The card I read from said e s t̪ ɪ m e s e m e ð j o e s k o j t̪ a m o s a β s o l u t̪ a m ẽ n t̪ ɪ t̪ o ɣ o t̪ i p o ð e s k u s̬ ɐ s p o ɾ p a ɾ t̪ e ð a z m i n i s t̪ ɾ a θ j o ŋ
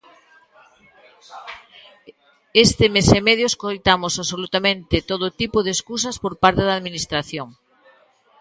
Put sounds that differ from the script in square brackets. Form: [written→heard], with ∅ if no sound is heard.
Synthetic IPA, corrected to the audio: e s t̪ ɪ m e s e m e ð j o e s k o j t̪ a m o s a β s o l u t̪ a m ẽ n t̪ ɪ t̪ o [ɣ→ð] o t̪ i p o ð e s k u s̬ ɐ s p o ɾ p a ɾ t̪ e ð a [z→ð] m i n i s t̪ ɾ a θ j o ŋ

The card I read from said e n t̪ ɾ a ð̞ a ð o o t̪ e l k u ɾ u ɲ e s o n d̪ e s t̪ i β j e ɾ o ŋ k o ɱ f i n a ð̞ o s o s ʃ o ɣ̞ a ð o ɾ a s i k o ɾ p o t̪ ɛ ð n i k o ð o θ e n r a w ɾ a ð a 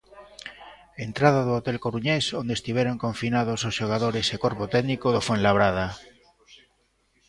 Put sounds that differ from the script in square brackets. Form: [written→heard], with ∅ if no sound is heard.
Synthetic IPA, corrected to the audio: e n t̪ ɾ a ð̞ a ð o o t̪ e l k [u→o] ɾ u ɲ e s o n d̪ e s t̪ i β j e ɾ o ŋ k o ɱ f i n a ð̞ o s o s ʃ o ɣ̞ a ð o ɾ [a→e] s [i→e] k o ɾ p o t̪ ɛ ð n i k o ð o [θ→f] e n [r→l] a [w→β] ɾ a ð a

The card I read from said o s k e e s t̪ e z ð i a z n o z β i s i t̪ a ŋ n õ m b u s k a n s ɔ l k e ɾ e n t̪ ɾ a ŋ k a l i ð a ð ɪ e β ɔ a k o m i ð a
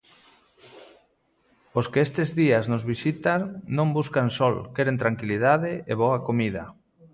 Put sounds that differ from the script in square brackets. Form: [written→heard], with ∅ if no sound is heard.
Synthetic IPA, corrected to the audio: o s k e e s t̪ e z ð i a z n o z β i s i t̪ a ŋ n õ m b u s k a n s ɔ l k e ɾ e n t̪ ɾ a ŋ k [a→i] l i ð a ð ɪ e β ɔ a k o m i ð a

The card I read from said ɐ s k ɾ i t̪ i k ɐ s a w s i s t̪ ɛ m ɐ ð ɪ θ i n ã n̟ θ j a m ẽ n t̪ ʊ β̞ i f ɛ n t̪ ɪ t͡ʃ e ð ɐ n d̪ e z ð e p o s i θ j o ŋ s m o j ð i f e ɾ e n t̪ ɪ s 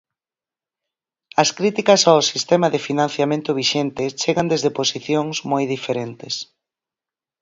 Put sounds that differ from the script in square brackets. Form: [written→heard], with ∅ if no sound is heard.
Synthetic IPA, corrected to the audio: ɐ s k ɾ i t̪ i k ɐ s a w s i s t̪ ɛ m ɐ ð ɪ [θ→f] i n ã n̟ θ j a m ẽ n t̪ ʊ β̞ i [f→ʃ] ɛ n t̪ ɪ t͡ʃ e [ð→ɣ] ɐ n d̪ e z ð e p o s i θ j o ŋ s m o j ð i f e ɾ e n t̪ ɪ s

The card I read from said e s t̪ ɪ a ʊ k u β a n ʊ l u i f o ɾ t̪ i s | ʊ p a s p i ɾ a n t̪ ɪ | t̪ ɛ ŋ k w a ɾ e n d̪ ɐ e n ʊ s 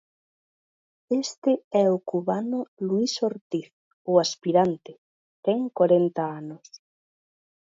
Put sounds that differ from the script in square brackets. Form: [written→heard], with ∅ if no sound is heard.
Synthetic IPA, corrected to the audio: e s t̪ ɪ [a→ɛ] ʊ k u β a n ʊ l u i [f→s] o ɾ t̪ i [s→θ] | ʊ [p→∅] a s p i ɾ a n t̪ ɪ | t̪ ɛ ŋ k w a ɾ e n [d̪→t̪] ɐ [e→a] n ʊ s

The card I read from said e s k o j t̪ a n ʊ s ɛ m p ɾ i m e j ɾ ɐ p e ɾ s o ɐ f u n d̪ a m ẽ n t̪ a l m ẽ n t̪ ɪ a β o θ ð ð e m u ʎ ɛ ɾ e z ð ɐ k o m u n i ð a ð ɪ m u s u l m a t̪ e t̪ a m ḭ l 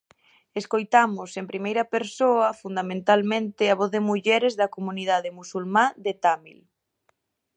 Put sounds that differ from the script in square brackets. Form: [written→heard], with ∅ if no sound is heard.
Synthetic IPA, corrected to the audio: e s k o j t̪ a [n→m] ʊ s [ɛ→e] m p ɾ i m e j ɾ ɐ p e ɾ s o ɐ f u n d̪ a m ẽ n t̪ a l m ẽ n t̪ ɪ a β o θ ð ð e m u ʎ ɛ ɾ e z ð ɐ k o m u n i ð a ð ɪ m u s u l m a [t̪→d̪] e t̪ a m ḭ l

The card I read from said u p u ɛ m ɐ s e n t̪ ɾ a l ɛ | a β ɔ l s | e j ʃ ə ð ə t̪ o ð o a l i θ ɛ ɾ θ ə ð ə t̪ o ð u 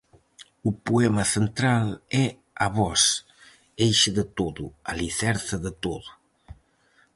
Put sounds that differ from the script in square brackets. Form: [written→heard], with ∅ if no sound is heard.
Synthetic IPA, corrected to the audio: u p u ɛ m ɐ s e n t̪ ɾ a l ɛ | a β ɔ [l→∅] s | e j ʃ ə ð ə t̪ o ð [o→u] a l i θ ɛ ɾ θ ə ð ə t̪ o ð u

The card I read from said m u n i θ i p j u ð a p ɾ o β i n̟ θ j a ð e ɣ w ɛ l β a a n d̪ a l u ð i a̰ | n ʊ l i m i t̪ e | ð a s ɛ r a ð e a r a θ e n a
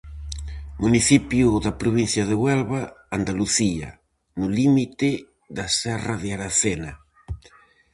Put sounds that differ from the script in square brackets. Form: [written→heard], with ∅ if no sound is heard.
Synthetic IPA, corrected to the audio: m u n i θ i p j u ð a p ɾ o β i n̟ θ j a ð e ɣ w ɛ l β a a n d̪ a l u [ð→θ] i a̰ | n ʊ l i m i t̪ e | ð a s ɛ r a ð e a [r→ɾ] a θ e n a

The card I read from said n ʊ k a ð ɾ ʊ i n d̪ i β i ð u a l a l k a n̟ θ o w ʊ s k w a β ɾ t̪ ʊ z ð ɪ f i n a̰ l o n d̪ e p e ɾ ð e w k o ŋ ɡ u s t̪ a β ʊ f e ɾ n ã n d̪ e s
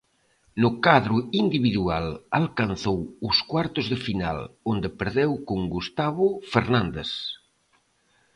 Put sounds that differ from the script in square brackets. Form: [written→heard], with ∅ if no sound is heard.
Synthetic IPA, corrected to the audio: n ʊ k a ð ɾ ʊ i n d̪ i β i ð u a l a l k a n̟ θ o w ʊ s k w a [β→∅] ɾ t̪ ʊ z ð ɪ f i n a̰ l o n d̪ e p e ɾ ð e w k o ŋ ɡ u s t̪ a β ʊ f e ɾ n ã n d̪ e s

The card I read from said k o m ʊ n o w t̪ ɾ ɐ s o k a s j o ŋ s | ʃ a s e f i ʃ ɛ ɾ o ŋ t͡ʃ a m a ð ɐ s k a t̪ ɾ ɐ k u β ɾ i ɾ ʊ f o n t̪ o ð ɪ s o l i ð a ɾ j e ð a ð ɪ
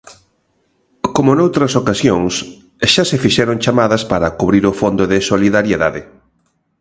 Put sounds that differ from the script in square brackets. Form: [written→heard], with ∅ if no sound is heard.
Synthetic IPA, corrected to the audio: k o m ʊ n o w t̪ ɾ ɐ s o k a s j o ŋ s | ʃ a s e f i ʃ ɛ ɾ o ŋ t͡ʃ a m a ð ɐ s [k→p] a [t̪→∅] ɾ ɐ k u β ɾ i ɾ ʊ f o n [t̪→d̪] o ð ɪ s o l i ð a ɾ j e ð a ð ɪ

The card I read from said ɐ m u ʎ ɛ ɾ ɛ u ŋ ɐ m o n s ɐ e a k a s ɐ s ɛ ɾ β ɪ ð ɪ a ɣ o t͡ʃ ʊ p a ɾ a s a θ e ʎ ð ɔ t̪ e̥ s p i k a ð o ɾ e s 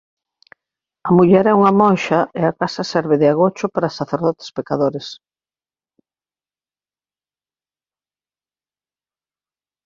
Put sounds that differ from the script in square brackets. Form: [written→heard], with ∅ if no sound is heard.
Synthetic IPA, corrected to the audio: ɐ m u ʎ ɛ ɾ ɛ u ŋ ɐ m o n [s→ʃ] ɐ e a k a s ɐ s ɛ ɾ β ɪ ð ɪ a ɣ o t͡ʃ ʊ p a ɾ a s a θ e [ʎ→ɾ] ð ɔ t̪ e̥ s p [i→e] k a ð o ɾ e s

